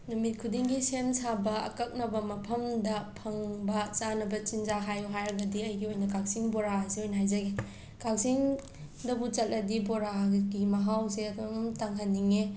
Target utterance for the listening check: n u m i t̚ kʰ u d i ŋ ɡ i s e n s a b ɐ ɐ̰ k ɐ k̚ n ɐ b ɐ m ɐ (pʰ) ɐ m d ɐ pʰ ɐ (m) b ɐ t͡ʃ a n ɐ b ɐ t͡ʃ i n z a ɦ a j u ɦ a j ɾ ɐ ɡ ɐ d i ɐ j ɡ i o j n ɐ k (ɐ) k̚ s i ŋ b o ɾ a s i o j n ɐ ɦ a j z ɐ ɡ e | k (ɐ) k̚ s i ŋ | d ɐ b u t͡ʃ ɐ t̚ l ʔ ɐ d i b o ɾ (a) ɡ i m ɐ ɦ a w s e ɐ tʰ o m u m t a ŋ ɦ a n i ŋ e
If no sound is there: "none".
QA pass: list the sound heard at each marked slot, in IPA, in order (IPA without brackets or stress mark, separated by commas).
pʰ, ŋ, a, a, a